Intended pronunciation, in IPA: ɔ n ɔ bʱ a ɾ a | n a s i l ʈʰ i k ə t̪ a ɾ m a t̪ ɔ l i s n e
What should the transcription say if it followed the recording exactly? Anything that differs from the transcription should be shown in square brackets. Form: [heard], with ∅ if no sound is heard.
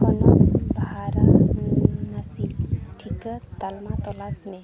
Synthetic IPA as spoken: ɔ n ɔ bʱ a ɾ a | n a s i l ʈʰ i k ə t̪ a [l] m a t̪ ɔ l [a] s n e